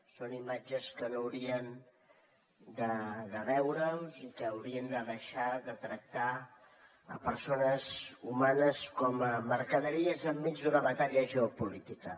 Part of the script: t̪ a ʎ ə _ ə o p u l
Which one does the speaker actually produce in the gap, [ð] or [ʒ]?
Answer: ʒ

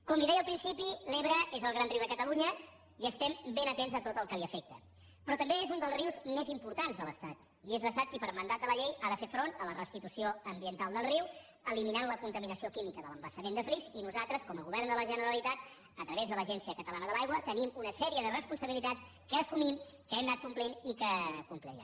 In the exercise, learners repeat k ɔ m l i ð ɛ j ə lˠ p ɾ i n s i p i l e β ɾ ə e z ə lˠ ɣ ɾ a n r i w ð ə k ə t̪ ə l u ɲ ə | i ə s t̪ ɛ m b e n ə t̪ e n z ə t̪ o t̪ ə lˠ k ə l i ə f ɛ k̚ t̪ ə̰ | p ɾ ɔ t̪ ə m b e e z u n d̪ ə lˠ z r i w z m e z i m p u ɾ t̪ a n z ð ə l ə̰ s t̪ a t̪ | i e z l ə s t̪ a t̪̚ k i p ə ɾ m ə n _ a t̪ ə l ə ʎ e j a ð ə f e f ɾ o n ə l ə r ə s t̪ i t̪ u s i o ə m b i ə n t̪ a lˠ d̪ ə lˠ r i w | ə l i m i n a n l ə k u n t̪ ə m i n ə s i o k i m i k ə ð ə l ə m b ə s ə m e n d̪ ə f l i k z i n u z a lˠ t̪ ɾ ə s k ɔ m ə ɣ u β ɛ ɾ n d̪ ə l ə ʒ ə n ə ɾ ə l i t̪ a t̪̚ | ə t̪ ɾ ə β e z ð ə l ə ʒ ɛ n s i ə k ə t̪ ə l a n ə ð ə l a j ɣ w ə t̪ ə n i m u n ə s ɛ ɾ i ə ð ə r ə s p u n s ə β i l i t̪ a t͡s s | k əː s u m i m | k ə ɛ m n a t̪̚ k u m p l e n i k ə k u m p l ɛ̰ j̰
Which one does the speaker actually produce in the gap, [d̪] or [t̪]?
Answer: d̪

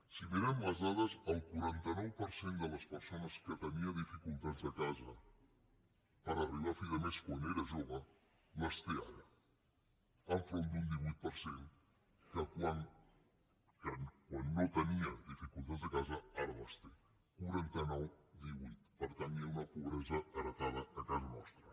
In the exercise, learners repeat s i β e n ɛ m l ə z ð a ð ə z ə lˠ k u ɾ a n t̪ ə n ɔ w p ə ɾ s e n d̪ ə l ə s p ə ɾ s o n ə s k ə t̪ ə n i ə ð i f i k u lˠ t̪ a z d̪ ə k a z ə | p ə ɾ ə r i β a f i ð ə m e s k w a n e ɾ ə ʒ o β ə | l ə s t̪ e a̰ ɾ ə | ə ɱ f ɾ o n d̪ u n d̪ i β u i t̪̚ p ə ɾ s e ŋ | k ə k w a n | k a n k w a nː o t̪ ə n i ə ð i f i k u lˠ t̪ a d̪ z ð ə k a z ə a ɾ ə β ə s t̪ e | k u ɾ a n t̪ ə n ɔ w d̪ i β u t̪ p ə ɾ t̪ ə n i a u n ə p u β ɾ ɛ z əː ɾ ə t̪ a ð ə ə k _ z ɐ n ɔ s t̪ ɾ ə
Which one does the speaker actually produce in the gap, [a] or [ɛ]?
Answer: a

